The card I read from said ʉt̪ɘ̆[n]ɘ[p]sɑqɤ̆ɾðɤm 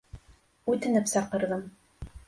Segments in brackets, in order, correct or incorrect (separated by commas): correct, correct